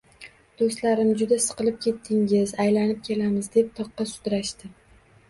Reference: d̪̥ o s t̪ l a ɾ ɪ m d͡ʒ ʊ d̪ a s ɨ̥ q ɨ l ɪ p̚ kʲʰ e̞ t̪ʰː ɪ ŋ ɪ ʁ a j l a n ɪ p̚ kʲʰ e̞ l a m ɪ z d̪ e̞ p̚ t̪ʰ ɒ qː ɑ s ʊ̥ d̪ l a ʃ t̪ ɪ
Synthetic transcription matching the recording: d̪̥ o s t̪ l a ɾ ɪ m d͡ʒ ʊ d̪ a s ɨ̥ q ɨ l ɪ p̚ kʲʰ e̞ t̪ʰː ɪ ŋ ɪ z a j l a n ɪ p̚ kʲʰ e̞ l a m ɪ z d̪ e̞ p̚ t̪ʰ ɒ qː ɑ s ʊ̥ d̪ ɾ a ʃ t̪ ɪ

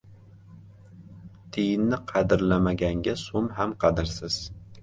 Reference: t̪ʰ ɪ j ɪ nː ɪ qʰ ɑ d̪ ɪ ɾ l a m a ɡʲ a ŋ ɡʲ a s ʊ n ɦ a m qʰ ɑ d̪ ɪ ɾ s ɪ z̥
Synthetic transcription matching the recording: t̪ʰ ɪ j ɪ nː ɪ qʰ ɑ d̪ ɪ ɾ l a m a ɡʲ a ŋ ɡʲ a s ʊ m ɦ a m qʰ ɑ d̪ ɪ ɾ s ɪ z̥

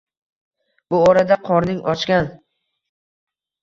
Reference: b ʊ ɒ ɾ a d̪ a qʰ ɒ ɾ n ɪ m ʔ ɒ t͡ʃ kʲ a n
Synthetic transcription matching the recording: b ʊ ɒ ɾ a d̪ a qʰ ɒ ɾ n ɪ ŋ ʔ ɒ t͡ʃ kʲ a n

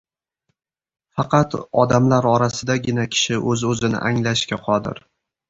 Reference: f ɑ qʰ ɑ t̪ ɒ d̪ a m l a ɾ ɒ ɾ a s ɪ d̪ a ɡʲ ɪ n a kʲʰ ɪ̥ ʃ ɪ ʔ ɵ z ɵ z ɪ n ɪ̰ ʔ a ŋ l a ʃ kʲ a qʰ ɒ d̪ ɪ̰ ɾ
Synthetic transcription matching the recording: f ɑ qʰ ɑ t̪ ɒ d̪ a m l a ɾ ɒ ɾ a s ɪ d̪ a ɡʲ ɪ n a kʲʰ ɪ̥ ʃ ɪ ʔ ɵ z ɵ z ɪ n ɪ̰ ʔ a ŋ l a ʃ kʲ a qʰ ɒ d̪ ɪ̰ ɾ

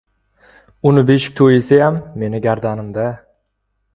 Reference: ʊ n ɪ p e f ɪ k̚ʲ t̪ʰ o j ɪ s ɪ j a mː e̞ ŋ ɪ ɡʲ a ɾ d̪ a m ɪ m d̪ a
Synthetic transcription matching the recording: ʊ n ɪ b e ʃ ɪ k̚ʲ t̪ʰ o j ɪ s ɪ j a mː e̞ n ɪ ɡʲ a ɾ d̪ a n ɪ m d̪ a

